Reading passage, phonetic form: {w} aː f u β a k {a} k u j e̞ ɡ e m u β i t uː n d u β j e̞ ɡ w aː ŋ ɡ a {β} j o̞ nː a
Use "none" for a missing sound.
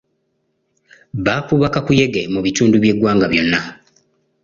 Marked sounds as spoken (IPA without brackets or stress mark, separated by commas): β, a, β